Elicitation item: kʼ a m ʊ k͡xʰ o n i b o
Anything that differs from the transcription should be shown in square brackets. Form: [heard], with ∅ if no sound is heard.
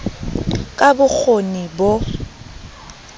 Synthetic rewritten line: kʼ a [b] ʊ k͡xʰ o n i b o